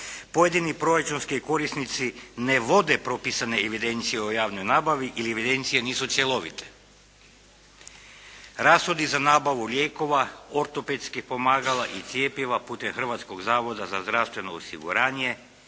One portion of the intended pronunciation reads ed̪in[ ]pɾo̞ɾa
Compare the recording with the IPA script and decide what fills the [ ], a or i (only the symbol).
i